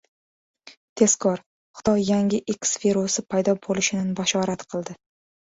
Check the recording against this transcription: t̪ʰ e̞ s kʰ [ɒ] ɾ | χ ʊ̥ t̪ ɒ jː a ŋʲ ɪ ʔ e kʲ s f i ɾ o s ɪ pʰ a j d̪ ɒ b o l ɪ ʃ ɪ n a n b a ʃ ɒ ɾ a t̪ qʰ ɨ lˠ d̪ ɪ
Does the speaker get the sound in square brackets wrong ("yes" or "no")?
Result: no